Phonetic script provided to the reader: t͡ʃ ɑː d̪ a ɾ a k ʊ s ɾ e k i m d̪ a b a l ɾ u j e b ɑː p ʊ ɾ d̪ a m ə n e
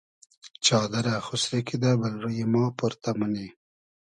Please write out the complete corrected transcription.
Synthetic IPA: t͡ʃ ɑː d̪ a ɾ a x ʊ s ɾ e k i d̪ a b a l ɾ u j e m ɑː p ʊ ɾ t̪ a m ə n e